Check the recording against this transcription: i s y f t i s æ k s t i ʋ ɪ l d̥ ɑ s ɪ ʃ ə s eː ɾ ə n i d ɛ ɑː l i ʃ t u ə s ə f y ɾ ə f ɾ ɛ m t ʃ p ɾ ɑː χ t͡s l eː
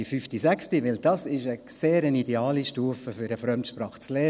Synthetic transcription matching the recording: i f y f t i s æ k s t i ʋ ɪ l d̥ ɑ s ɪ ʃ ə s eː ɾ ə n i d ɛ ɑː l i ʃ t u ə f ə f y ɾ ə f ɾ œ m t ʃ p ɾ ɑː χ t͡s l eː